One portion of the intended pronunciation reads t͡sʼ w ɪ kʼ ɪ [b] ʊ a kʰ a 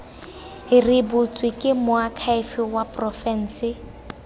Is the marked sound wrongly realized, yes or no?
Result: yes